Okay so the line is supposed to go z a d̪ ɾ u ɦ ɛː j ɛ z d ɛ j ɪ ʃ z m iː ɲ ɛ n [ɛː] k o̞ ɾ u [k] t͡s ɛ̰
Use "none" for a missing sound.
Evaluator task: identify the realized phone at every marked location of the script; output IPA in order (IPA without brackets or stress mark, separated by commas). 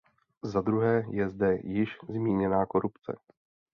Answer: aː, p